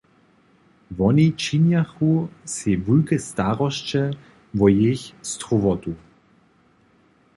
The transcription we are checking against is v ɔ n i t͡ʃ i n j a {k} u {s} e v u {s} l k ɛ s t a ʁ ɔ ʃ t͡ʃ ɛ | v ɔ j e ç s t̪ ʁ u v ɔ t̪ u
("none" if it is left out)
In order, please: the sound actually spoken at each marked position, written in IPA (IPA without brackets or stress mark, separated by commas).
x, s, none